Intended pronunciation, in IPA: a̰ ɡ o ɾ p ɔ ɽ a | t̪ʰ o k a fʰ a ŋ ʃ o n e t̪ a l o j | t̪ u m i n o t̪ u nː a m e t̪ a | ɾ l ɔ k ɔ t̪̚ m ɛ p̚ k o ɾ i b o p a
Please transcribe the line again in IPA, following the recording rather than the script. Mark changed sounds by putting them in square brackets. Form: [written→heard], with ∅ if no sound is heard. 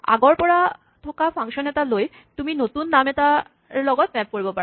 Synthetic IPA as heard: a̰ ɡ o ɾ p ɔ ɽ a | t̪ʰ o k a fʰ a ŋ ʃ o n e t̪ a l o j | t̪ u m i n o t̪ u nː a m e t̪ a | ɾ l ɔ [k→ɡ] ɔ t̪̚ m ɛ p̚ k o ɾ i b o p a